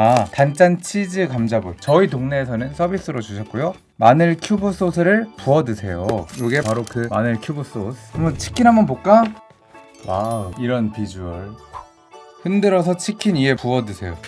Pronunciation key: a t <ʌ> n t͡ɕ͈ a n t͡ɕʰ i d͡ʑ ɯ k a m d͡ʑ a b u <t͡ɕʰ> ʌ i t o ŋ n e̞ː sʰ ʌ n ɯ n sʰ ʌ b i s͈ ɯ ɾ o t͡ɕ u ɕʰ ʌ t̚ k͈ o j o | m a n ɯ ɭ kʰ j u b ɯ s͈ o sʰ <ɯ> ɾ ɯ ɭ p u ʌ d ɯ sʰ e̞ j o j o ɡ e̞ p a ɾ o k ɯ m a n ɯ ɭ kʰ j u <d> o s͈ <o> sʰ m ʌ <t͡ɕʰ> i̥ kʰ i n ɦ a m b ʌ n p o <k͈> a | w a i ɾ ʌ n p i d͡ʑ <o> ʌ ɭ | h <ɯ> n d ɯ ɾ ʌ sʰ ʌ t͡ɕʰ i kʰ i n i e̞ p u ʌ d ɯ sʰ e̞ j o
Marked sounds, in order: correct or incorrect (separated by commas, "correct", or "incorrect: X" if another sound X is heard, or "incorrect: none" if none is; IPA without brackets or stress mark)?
incorrect: a, incorrect: t͡ɕ, correct, incorrect: b, correct, correct, correct, incorrect: u, correct